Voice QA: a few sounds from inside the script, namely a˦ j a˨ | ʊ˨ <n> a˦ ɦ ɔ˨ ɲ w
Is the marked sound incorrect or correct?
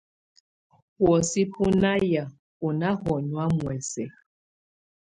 correct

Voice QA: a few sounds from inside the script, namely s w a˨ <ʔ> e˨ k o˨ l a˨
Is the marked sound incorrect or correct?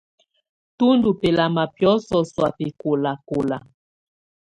incorrect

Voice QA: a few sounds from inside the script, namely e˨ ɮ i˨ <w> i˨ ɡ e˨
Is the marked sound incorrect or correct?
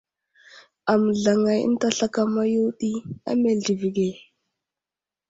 incorrect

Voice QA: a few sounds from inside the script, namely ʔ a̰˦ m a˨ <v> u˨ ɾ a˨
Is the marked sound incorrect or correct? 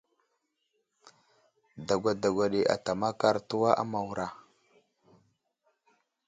incorrect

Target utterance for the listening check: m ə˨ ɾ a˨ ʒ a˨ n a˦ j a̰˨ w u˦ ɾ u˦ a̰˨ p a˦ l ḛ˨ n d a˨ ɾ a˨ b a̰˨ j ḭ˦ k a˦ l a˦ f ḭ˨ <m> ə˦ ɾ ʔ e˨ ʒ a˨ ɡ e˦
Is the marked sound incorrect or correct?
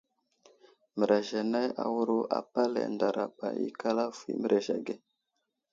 correct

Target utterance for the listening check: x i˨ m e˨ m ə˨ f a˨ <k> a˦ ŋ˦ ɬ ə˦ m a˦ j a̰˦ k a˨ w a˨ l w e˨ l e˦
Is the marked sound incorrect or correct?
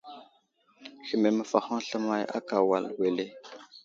incorrect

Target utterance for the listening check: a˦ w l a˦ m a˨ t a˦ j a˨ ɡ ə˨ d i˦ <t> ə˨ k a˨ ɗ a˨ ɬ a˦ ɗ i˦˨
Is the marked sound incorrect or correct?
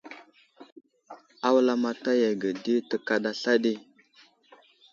correct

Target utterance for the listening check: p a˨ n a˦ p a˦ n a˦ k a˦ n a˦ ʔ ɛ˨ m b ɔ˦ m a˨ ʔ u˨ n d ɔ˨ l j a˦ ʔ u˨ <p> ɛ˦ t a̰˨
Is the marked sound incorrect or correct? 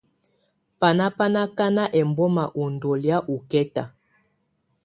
incorrect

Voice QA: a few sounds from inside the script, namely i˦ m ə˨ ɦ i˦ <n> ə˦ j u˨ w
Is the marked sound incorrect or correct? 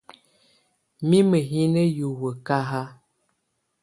correct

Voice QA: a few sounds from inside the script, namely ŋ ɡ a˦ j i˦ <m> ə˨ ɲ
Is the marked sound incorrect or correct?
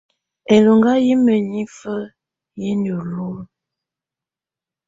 correct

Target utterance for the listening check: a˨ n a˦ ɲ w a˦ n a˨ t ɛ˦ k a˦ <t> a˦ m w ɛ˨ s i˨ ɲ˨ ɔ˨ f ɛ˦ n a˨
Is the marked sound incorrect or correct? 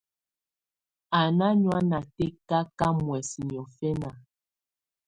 incorrect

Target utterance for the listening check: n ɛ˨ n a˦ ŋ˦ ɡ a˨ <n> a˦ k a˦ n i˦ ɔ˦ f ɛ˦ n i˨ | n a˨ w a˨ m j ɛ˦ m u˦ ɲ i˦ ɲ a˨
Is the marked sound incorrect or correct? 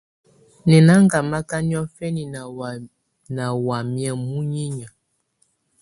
incorrect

